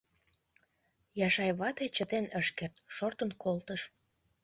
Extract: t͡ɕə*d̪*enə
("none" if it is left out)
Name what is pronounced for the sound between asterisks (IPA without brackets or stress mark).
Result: t̪